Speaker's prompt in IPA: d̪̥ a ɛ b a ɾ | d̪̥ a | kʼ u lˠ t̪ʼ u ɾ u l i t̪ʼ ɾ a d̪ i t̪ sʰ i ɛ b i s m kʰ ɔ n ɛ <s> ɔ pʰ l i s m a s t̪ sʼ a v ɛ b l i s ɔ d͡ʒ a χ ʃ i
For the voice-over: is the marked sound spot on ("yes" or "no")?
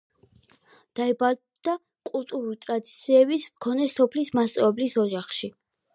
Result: yes